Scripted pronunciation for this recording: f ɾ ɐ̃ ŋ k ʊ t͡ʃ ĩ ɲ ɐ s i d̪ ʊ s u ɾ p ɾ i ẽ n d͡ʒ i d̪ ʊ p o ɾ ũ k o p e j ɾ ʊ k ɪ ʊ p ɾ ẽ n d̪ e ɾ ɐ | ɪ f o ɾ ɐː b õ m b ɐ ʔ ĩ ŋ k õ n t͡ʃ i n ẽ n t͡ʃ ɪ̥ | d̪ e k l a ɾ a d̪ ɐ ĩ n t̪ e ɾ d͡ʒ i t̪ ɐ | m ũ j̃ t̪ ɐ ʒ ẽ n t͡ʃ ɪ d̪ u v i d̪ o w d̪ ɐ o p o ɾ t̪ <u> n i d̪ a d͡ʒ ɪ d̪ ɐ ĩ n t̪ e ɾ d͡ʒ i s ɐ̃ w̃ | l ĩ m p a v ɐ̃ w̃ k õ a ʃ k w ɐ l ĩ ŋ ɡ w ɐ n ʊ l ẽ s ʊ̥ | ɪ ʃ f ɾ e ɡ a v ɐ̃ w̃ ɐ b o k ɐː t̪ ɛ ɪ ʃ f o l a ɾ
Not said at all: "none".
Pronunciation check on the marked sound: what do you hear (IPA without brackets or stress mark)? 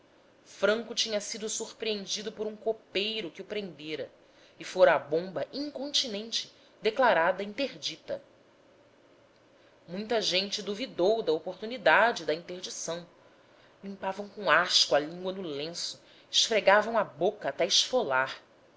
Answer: u